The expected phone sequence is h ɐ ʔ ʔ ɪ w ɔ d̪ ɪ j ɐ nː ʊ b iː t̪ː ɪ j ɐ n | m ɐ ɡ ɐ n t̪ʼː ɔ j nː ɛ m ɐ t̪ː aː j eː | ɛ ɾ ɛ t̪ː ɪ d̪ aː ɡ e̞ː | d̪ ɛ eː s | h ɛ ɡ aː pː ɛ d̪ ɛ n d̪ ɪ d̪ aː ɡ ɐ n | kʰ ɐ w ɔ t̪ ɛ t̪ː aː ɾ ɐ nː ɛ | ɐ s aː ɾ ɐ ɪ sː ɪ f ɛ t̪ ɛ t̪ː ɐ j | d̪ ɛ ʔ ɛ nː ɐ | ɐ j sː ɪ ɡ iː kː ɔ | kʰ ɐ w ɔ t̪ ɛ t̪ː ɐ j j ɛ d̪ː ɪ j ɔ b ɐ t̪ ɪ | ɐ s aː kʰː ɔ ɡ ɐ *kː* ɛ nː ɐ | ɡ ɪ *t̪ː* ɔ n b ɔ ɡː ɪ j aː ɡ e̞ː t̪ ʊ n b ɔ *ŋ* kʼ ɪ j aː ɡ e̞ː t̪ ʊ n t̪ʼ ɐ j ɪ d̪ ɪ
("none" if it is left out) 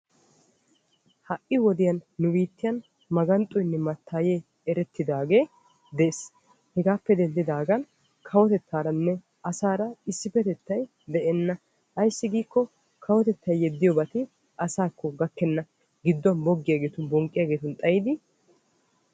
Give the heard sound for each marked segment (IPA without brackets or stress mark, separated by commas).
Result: kː, d̪ː, ŋ